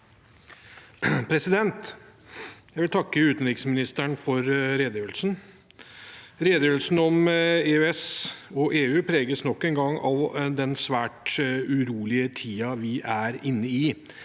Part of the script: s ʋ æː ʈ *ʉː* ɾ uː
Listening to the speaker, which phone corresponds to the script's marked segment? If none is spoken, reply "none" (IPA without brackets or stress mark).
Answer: ʉ